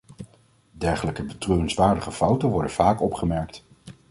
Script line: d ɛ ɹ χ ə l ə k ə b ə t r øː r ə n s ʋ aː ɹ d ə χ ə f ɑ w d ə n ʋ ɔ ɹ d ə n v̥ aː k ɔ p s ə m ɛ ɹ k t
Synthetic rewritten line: d ɛ ɹ χ ə l ə k ə b ə t r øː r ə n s ʋ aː ɹ d ə χ ə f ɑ w t ə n ʋ ɔ ɹ d ə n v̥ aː k ɔ p χ ə m ɛ ɹ k t